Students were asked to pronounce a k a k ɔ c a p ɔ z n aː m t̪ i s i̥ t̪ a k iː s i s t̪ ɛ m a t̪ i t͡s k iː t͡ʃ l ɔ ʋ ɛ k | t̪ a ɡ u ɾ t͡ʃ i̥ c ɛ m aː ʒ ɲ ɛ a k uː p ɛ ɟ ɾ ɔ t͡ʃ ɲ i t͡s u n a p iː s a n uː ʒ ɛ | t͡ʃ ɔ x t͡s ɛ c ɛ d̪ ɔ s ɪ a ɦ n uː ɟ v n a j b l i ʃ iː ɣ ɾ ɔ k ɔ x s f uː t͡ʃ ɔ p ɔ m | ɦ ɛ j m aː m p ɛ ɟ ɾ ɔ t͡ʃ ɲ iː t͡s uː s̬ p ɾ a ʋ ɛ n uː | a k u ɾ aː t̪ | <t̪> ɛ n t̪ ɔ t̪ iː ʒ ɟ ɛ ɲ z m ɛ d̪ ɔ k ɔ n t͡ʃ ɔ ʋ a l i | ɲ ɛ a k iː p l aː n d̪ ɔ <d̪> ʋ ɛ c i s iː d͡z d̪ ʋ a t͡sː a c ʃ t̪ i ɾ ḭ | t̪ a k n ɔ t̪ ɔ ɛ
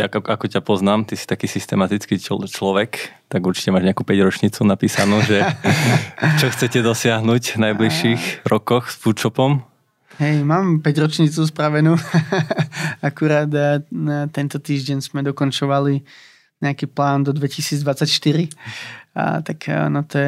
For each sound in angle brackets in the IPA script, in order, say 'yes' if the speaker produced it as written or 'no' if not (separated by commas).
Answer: yes, yes